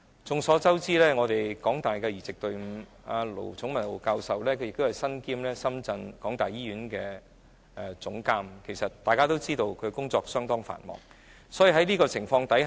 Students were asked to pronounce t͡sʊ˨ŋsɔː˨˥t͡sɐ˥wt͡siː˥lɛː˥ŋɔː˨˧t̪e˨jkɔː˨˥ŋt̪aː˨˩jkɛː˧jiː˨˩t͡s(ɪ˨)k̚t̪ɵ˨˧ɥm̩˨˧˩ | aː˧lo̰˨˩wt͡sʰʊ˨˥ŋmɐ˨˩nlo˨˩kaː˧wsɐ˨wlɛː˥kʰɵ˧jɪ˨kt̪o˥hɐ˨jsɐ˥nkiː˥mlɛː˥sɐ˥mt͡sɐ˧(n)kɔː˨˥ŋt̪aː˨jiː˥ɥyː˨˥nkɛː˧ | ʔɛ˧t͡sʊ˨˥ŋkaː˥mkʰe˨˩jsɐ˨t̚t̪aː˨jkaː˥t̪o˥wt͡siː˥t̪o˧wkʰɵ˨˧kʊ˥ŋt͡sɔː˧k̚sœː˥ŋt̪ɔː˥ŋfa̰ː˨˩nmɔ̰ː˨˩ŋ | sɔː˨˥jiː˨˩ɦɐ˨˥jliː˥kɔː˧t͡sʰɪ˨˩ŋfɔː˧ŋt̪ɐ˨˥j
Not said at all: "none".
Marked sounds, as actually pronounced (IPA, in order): ɪ˨, n

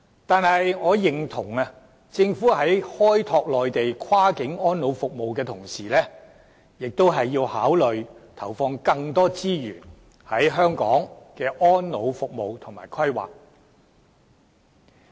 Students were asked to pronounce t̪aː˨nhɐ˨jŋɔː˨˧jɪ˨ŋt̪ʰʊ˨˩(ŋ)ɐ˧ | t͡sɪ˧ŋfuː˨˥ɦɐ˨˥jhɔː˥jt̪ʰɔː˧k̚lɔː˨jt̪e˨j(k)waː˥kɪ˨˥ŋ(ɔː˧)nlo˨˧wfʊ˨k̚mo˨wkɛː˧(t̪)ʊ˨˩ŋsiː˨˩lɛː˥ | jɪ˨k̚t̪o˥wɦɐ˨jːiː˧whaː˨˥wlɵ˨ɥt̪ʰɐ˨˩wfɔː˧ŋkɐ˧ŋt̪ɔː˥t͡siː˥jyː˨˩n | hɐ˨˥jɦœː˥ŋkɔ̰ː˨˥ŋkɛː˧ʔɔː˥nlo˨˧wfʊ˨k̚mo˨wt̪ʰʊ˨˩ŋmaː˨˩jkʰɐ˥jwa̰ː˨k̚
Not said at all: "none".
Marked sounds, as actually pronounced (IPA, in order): ŋ, kʰ, ɔː˥, t̪ʰ

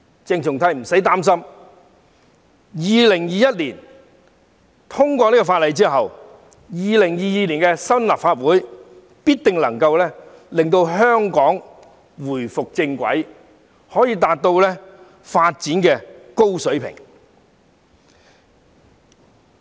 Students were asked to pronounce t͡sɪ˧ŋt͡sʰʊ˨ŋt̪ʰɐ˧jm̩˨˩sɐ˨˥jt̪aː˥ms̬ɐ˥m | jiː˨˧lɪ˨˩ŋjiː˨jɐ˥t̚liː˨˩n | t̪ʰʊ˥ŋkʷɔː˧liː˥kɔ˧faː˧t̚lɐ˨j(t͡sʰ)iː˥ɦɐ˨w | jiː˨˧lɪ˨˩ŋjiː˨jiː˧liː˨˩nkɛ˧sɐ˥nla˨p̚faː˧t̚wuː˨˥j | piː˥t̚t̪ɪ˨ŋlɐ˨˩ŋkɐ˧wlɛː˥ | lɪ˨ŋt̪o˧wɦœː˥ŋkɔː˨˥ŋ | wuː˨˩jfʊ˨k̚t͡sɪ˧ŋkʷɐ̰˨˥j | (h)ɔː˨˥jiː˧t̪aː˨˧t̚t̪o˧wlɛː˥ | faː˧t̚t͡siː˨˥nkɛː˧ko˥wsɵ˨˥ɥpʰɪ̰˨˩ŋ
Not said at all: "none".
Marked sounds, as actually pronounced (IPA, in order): t͡s, h

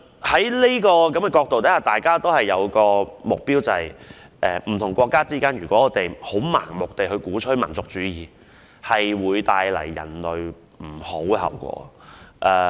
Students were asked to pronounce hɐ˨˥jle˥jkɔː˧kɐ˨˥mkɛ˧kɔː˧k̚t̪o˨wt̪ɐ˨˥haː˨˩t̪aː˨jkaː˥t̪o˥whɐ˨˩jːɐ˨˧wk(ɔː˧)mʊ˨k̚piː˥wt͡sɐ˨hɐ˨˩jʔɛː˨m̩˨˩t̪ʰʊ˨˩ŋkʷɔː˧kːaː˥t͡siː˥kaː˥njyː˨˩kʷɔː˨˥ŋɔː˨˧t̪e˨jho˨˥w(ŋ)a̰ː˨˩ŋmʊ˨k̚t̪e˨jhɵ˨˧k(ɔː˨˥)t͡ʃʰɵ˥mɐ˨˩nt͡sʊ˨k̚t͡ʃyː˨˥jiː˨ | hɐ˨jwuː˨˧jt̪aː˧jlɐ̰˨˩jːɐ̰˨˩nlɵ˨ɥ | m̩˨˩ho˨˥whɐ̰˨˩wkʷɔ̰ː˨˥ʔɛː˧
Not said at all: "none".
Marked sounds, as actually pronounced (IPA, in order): ɔː˧, m, uː˨˥

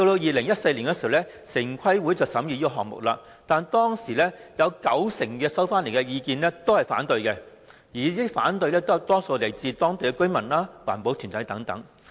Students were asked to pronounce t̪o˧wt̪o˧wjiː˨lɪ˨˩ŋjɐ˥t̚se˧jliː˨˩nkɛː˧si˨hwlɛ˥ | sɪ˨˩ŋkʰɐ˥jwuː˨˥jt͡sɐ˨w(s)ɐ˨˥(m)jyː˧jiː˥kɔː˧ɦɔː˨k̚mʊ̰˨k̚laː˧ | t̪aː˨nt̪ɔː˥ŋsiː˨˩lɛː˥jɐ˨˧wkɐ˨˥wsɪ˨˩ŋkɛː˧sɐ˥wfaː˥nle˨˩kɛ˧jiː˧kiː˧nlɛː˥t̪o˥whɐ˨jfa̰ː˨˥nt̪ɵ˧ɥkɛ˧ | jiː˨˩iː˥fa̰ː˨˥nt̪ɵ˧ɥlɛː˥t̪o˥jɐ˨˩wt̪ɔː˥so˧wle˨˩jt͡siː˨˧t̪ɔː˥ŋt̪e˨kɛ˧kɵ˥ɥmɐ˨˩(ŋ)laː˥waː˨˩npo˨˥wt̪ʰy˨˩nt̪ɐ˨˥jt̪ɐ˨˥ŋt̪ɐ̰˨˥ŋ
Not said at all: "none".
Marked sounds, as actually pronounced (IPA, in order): s, m, n

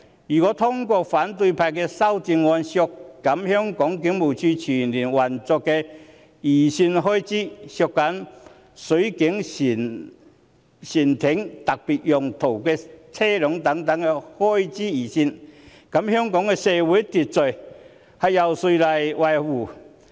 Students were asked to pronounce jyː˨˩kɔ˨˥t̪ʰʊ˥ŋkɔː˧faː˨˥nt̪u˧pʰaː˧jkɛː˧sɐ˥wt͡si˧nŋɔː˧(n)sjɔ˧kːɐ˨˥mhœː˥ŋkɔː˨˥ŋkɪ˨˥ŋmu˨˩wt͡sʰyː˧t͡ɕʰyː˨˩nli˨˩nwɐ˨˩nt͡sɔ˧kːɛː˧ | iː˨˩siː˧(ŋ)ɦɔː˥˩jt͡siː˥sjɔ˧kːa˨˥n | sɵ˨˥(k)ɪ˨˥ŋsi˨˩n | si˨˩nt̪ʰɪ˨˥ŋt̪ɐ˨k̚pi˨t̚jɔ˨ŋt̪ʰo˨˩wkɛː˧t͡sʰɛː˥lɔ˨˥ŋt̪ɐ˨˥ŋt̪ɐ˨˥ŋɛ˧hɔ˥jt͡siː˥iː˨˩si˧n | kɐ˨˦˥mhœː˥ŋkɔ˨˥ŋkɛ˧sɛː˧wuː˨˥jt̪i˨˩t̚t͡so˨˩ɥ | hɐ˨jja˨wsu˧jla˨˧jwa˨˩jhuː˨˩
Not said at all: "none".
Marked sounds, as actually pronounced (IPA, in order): n, n, k

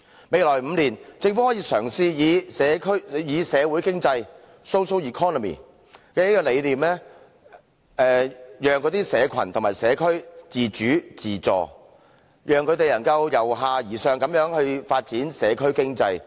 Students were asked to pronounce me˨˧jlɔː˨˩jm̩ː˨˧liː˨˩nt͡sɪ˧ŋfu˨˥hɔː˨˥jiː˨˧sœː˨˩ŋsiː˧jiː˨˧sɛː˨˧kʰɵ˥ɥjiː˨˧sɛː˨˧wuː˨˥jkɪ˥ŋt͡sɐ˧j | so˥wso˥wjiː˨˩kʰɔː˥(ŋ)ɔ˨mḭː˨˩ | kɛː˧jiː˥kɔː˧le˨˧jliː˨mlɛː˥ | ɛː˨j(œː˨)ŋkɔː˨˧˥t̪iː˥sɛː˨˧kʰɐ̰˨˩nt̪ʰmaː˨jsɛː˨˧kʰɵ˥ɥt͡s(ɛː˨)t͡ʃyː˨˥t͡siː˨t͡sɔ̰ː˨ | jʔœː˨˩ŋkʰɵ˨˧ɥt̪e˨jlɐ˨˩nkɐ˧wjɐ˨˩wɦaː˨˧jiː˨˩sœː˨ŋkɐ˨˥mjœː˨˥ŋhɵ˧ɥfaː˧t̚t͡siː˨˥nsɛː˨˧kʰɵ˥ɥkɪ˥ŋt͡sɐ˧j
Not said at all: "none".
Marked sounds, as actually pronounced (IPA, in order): n, œː˨, iː˨

